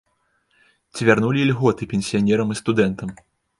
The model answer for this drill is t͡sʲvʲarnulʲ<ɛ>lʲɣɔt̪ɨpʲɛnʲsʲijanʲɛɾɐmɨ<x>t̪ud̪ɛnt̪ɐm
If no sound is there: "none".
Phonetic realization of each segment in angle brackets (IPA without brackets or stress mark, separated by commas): i, s